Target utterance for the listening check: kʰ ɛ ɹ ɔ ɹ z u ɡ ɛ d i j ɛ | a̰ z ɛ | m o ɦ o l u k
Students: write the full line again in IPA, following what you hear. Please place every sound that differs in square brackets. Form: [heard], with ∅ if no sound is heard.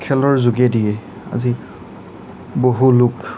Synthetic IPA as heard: kʰ ɛ [l] ɔ ɹ z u ɡ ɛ d i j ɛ | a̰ z [i] | [b] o ɦ [u] l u k